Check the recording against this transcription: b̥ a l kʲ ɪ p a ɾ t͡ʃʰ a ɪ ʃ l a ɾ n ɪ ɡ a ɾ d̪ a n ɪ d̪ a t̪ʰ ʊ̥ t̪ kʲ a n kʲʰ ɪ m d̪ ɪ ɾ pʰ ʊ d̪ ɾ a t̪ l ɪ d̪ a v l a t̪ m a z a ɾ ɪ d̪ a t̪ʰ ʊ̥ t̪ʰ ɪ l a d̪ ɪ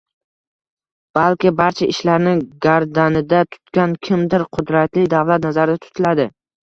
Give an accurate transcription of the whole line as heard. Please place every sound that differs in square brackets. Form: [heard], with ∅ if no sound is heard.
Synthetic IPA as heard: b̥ a l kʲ ɪ [b] a ɾ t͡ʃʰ a ɪ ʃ l a ɾ n ɪ ɡ a ɾ d̪ a n ɪ d̪ a t̪ʰ ʊ̥ t̪ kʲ a n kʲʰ ɪ m d̪ ɪ ɾ [qʰ] ʊ d̪ ɾ a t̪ l ɪ d̪ a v l a t̪ [n] a z a ɾ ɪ d̪ a t̪ʰ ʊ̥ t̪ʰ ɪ l a d̪ ɪ